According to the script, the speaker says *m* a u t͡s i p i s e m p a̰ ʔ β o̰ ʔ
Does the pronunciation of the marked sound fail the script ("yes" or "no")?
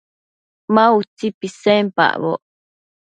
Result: no